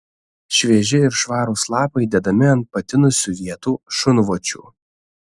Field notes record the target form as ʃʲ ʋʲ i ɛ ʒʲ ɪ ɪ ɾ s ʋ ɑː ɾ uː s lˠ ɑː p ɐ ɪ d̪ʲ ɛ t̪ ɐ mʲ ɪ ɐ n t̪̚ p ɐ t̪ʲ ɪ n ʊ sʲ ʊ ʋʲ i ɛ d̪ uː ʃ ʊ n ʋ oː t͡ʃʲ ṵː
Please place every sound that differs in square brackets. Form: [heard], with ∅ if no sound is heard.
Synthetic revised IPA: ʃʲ ʋʲ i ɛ ʒʲ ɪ ɪ ɾ [ʃ] ʋ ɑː ɾ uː s lˠ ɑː p ɐ ɪ d̪ʲ ɛ [d̪] ɐ mʲ ɪ ɐ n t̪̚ p ɐ t̪ʲ ɪ n ʊ sʲ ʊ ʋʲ i ɛ [t̪] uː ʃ ʊ n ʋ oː t͡ʃʲ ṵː